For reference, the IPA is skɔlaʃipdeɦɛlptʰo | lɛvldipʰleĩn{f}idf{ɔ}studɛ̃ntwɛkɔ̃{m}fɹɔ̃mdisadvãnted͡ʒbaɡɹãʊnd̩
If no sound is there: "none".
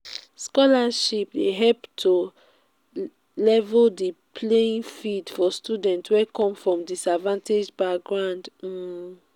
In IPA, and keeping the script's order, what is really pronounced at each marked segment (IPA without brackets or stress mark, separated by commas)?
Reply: f, ɔ, m